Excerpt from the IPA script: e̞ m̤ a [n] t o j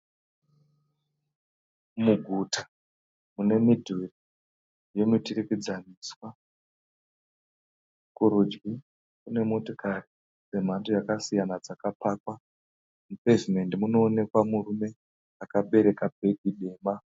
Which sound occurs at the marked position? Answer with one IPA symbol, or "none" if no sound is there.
n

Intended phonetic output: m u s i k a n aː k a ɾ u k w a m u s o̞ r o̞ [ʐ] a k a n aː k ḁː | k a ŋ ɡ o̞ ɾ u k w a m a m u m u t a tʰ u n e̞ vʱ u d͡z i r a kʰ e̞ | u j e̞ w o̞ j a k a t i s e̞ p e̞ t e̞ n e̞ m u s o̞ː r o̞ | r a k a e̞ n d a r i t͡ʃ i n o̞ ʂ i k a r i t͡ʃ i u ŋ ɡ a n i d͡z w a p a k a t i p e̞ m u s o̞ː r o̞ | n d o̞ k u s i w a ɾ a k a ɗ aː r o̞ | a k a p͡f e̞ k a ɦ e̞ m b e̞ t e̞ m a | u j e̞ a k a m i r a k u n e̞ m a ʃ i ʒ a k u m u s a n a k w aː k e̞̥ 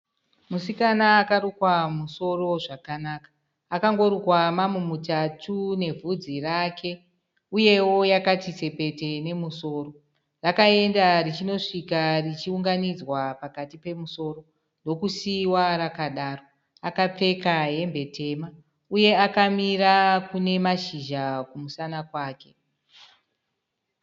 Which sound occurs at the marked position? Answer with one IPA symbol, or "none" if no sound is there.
ʐ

